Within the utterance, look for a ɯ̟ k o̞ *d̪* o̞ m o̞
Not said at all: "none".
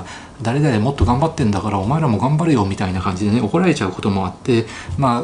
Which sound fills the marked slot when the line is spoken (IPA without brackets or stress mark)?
t̪